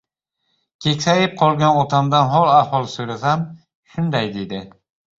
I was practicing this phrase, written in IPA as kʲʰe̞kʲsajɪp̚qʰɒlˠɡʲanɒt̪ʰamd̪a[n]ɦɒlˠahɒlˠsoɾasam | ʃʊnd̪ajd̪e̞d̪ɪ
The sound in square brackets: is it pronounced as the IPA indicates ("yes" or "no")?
yes